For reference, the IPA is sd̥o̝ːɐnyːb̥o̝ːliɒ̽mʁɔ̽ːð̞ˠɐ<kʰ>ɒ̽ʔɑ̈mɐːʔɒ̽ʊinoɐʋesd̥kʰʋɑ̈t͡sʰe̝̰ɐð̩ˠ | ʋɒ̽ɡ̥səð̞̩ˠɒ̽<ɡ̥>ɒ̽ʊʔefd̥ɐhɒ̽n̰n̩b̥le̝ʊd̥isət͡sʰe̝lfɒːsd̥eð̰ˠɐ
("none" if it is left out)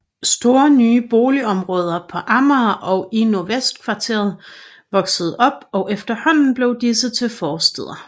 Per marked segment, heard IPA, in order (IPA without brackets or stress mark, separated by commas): pʰ, b̥